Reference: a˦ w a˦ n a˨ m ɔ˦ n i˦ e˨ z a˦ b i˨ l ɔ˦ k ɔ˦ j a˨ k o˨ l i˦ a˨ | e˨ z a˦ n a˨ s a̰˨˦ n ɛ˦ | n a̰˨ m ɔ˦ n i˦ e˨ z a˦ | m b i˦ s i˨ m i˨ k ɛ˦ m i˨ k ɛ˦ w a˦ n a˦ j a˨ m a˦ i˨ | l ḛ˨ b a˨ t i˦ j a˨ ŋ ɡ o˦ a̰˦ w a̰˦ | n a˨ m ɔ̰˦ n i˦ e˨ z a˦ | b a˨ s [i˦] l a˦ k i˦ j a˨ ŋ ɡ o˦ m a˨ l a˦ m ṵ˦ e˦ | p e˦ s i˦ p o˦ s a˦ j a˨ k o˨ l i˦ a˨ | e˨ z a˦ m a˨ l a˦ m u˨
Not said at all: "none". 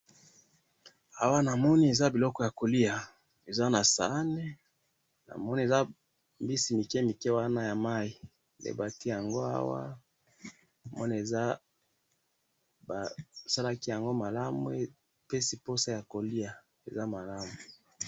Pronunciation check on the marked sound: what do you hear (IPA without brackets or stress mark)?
a˦